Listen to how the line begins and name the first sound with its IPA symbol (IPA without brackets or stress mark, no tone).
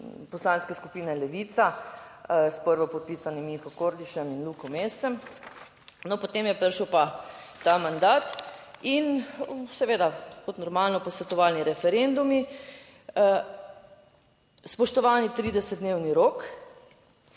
p